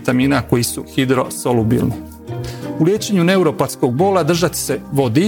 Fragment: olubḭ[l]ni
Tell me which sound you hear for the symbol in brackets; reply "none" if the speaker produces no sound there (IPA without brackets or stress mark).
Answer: l